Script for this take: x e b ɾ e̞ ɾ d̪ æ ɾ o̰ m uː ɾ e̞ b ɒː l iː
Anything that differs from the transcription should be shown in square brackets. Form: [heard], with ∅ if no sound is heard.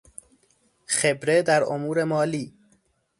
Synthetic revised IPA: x e b ɾ e̞ [∅] d̪ æ ɾ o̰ m uː ɾ e̞ [m] ɒː l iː